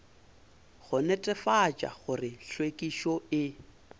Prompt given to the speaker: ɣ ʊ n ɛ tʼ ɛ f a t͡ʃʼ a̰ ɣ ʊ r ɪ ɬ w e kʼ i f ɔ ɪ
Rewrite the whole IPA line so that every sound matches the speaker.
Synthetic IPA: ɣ ʊ n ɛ tʼ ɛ f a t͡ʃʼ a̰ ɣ ʊ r ɪ ɬ w e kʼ i ʃ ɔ ɪ